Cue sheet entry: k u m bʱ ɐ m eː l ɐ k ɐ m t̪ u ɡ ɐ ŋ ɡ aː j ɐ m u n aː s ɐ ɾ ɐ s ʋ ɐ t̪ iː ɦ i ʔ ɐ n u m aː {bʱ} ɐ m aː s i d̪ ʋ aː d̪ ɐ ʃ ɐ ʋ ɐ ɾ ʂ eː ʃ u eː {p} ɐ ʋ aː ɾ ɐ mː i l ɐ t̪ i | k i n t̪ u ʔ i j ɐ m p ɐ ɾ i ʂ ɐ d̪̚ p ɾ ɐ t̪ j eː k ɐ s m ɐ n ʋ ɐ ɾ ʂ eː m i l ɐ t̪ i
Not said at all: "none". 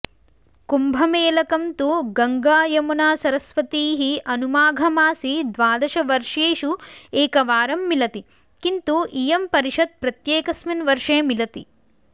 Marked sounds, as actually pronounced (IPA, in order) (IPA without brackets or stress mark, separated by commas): ɡʱ, k